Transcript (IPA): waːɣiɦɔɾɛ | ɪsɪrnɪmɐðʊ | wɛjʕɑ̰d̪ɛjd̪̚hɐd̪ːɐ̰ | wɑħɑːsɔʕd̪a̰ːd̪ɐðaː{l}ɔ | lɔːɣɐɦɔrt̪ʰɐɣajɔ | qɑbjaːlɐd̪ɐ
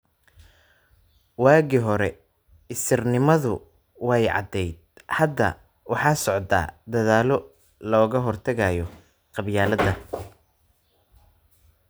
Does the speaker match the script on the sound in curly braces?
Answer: yes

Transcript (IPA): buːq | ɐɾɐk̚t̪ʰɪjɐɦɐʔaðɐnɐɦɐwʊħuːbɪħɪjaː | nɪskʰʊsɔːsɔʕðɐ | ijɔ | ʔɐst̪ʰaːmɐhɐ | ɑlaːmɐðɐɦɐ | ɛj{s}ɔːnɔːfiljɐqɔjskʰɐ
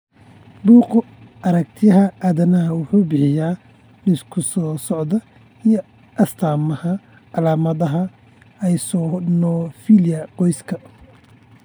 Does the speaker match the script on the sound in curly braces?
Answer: yes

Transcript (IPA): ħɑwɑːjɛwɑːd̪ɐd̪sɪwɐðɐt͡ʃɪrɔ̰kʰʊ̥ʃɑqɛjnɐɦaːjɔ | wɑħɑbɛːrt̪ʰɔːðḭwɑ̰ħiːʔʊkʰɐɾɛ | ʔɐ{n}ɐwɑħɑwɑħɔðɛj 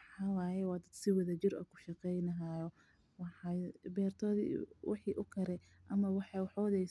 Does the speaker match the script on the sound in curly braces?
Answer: no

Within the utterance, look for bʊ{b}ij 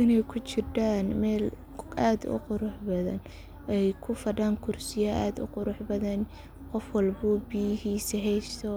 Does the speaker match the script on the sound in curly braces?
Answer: yes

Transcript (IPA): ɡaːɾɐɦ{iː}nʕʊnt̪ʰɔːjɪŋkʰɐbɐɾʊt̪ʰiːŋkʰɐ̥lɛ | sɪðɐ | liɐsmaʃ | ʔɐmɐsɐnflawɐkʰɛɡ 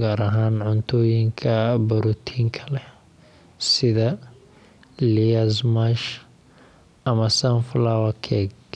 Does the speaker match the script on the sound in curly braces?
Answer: no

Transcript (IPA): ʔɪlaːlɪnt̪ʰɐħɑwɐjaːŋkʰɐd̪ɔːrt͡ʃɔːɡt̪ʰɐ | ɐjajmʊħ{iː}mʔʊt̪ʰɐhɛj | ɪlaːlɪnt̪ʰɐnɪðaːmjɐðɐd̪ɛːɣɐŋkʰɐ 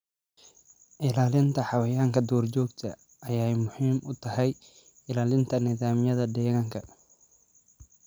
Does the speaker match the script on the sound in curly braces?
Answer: yes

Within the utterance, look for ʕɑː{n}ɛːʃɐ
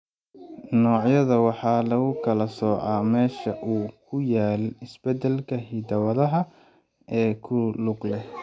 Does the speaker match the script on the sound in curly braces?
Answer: no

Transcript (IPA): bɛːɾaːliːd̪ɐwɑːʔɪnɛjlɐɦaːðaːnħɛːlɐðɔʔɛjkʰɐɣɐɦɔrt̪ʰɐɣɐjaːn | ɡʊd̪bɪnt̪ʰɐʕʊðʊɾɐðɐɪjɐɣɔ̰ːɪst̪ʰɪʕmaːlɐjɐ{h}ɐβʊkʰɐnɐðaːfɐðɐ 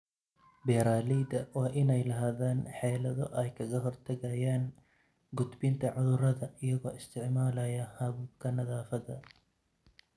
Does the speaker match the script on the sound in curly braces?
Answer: yes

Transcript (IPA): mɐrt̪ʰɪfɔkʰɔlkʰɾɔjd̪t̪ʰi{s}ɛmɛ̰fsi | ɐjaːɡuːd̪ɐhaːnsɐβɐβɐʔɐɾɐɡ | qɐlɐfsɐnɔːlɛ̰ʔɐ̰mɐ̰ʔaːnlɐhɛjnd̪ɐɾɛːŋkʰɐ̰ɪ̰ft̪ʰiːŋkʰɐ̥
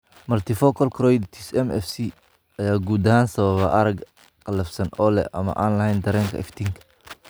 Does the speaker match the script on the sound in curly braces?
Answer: yes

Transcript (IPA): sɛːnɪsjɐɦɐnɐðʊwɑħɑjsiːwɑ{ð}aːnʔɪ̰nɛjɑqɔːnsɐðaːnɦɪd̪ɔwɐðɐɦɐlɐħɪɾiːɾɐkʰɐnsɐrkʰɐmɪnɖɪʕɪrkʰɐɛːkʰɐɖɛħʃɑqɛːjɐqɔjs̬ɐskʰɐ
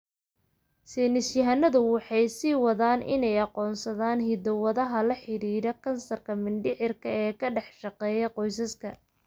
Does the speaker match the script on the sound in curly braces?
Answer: yes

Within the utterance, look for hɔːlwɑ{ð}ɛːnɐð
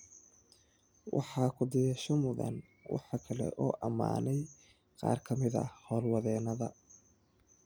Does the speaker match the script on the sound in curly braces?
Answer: yes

